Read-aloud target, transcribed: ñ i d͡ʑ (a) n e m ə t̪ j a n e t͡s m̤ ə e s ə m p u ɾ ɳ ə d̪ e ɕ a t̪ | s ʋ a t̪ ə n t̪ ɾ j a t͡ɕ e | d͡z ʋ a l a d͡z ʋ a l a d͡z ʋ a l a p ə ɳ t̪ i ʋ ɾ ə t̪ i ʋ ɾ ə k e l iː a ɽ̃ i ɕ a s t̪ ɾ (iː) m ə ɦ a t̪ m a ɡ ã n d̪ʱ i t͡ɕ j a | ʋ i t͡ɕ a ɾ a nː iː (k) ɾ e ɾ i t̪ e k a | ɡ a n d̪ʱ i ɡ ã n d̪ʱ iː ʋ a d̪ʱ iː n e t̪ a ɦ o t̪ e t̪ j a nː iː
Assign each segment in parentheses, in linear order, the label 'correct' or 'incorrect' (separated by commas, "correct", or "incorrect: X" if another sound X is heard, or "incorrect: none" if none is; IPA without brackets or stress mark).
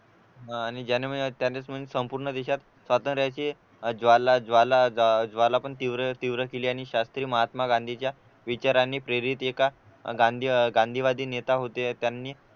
correct, correct, incorrect: p